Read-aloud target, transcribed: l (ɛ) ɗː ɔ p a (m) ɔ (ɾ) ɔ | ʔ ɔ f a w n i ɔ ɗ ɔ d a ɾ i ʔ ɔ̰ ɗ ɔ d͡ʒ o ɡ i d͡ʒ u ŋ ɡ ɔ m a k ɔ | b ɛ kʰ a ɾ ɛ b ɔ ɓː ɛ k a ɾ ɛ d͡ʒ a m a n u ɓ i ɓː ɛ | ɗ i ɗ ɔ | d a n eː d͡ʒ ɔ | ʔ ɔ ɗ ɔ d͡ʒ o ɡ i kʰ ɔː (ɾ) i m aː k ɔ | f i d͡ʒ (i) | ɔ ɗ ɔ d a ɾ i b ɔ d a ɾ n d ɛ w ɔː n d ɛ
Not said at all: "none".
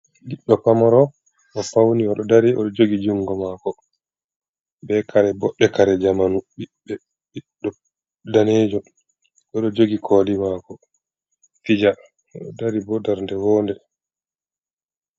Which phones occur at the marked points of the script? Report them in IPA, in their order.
i, m, ɾ, l, a

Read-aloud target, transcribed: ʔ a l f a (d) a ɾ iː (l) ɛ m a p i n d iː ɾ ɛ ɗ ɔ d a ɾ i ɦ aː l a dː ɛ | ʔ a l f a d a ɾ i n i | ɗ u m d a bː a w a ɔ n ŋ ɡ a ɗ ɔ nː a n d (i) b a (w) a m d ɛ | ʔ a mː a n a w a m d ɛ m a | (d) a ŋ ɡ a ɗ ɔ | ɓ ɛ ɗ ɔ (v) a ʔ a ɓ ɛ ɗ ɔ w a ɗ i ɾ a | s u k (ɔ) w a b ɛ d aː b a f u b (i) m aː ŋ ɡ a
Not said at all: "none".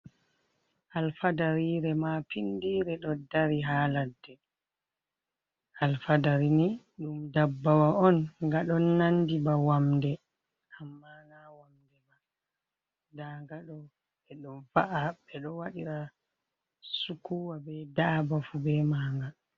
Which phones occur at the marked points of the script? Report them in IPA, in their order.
d, ɾ, i, w, d, v, u, ɛ

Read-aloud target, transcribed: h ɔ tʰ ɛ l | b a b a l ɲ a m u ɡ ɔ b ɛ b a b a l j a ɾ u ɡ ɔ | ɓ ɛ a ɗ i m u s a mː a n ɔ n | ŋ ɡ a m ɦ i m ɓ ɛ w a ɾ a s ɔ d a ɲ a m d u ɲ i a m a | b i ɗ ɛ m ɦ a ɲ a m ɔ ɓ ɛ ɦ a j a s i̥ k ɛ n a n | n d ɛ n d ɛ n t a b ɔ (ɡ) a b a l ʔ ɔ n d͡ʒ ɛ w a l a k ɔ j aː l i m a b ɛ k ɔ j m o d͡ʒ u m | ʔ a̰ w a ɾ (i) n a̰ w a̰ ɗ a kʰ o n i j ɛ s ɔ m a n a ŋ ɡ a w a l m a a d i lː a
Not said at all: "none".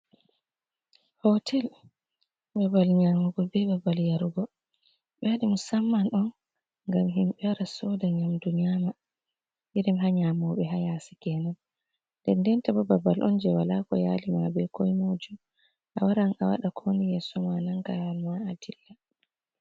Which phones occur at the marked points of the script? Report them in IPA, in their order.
b, a

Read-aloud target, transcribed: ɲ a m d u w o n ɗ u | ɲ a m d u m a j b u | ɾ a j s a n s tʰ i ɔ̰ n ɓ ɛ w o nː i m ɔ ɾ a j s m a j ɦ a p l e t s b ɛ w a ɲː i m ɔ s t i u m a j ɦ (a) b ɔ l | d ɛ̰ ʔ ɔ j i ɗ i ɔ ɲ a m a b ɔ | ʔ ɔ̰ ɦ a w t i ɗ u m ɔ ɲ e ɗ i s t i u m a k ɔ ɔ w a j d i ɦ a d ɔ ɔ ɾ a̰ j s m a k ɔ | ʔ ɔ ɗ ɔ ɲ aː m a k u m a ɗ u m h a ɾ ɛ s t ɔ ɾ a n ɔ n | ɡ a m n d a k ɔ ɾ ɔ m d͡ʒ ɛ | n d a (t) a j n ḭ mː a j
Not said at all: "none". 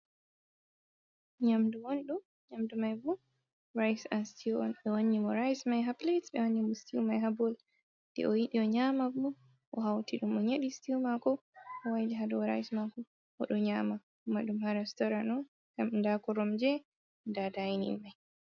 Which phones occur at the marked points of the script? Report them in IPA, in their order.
a, d

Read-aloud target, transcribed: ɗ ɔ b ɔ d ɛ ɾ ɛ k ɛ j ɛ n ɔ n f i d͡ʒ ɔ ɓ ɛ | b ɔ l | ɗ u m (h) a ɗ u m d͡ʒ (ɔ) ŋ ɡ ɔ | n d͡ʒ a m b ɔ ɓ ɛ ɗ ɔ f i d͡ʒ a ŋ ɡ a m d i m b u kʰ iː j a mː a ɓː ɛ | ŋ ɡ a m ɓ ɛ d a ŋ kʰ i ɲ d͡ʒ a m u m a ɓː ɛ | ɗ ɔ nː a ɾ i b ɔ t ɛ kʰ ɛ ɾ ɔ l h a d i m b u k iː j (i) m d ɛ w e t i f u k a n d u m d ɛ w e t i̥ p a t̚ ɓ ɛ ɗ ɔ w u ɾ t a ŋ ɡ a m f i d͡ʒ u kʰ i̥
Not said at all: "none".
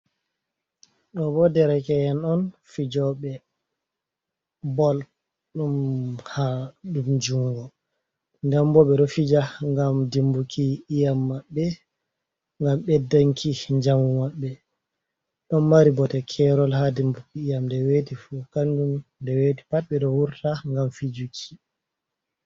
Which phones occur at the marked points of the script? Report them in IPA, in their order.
h, u, a

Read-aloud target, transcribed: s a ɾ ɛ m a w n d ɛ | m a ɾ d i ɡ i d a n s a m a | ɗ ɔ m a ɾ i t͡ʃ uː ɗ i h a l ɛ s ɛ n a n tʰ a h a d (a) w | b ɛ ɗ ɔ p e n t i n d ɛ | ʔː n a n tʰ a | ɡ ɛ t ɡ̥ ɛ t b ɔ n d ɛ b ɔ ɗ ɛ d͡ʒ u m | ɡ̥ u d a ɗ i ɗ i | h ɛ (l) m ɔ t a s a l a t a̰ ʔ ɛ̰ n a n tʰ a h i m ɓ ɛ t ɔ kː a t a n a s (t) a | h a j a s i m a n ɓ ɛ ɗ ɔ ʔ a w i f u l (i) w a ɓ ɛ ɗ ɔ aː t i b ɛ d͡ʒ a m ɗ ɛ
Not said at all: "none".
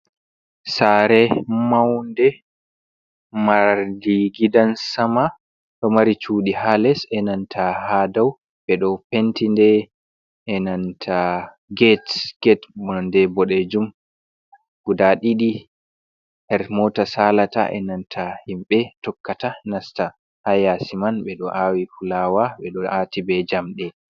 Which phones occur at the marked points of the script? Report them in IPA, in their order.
a, ɾ, t, a

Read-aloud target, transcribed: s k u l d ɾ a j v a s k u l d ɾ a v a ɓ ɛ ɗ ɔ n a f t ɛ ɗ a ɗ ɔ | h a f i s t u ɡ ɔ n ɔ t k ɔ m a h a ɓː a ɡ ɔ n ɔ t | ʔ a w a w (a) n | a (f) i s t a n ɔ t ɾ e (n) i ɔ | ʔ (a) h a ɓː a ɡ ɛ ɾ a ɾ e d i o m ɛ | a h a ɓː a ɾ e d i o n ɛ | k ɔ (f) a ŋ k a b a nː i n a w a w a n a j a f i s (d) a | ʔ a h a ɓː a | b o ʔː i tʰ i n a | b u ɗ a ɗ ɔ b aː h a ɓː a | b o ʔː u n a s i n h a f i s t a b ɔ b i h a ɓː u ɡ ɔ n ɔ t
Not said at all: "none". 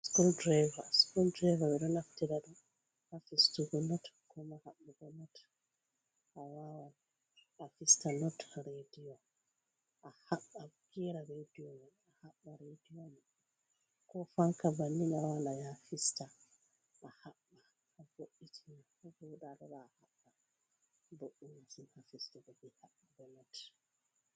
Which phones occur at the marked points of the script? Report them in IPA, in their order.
a, f, d, a, f, t

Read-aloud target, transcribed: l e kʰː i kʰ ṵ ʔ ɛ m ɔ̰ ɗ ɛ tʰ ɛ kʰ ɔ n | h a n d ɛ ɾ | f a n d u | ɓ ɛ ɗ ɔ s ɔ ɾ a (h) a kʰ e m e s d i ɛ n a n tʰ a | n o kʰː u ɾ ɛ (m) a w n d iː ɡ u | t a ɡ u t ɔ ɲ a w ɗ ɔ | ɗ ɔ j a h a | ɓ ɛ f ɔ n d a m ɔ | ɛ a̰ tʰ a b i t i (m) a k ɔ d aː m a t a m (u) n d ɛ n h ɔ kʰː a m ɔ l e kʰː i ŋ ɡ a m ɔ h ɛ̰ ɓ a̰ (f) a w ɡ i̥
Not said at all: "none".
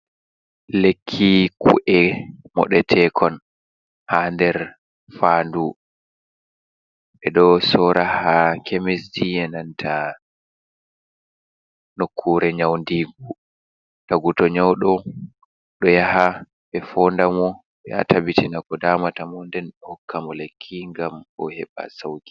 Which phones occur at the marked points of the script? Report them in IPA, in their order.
h, ɲ, n, ɔ, s

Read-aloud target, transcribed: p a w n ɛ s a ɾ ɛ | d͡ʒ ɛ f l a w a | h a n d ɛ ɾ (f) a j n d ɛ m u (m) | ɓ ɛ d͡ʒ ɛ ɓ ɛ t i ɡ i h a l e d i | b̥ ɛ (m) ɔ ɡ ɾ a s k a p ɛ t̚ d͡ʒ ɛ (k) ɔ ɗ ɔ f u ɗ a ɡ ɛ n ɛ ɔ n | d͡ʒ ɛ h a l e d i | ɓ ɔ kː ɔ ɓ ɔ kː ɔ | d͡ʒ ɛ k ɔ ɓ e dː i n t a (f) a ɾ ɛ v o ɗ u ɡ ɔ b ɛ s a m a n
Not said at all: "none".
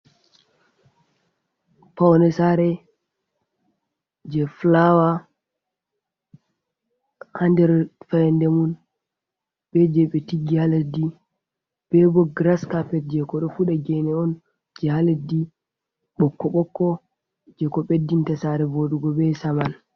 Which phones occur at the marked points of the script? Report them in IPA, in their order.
f, n, b, k, s

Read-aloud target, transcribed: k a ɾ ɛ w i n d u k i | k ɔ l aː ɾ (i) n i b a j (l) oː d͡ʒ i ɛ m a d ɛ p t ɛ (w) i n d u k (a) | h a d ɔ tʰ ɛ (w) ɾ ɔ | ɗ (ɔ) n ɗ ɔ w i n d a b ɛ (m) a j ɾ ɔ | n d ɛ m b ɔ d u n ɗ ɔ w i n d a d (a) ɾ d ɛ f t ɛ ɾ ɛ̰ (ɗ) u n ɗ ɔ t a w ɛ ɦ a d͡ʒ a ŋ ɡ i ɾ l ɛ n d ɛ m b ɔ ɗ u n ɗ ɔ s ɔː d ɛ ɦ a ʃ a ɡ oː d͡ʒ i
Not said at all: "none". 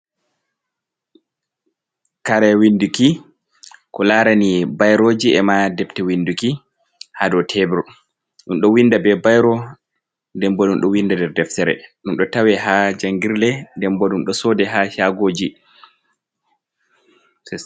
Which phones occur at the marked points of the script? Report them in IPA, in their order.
a, ɾ, w, i, b, u, b, ɛ, ɗ

